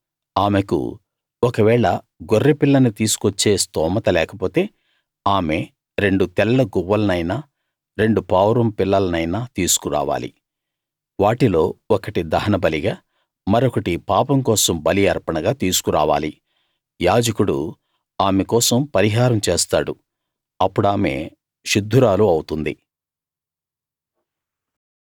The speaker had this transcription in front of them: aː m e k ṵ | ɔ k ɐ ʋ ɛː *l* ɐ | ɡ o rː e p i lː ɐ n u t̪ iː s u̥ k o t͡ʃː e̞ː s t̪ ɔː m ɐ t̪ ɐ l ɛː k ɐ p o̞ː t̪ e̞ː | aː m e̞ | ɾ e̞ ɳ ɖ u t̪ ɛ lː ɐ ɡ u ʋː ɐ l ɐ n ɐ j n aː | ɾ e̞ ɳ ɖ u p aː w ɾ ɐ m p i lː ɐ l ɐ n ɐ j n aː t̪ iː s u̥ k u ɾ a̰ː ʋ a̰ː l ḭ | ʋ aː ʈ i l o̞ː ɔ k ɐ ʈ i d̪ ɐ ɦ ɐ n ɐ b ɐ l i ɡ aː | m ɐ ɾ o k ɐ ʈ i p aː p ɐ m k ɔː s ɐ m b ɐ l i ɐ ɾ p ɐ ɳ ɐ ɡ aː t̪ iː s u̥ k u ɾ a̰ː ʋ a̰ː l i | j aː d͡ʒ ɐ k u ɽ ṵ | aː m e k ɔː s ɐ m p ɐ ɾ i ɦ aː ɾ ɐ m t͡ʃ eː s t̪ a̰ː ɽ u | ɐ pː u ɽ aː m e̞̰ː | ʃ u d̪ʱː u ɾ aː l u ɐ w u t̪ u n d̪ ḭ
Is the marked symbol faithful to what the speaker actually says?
no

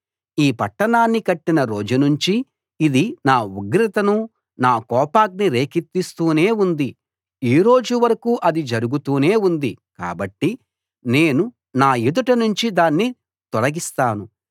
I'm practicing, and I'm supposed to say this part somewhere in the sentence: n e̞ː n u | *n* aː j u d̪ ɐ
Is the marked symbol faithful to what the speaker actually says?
yes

